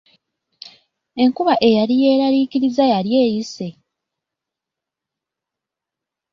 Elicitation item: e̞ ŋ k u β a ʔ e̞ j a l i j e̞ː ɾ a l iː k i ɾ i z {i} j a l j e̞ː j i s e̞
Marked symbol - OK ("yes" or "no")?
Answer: no